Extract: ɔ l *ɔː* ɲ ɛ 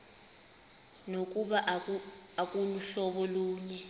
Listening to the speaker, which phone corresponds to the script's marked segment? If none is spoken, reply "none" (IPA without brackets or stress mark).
uː